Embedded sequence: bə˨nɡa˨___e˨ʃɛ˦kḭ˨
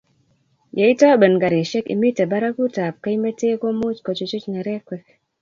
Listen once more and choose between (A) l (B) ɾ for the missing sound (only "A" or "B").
B